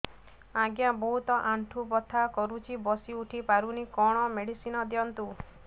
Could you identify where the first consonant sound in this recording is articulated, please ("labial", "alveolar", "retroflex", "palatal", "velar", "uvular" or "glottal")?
velar